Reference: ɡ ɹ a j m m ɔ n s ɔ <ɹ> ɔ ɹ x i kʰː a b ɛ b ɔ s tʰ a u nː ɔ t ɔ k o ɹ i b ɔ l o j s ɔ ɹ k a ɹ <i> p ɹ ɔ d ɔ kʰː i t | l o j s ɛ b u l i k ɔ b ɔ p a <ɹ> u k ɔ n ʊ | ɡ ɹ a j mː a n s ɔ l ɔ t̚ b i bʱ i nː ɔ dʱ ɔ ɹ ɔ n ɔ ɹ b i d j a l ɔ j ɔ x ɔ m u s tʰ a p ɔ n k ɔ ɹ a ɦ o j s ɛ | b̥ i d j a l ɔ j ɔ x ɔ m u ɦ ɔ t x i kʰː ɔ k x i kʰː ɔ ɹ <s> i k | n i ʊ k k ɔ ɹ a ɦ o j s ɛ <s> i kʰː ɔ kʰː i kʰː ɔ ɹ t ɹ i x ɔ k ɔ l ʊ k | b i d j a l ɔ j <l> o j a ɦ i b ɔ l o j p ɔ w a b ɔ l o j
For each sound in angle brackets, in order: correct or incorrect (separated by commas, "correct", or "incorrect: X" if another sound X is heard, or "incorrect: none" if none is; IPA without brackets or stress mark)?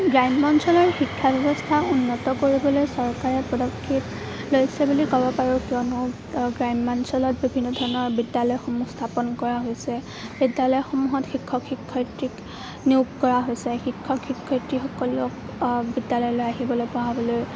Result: incorrect: l, incorrect: ɛ, correct, incorrect: t, incorrect: x, correct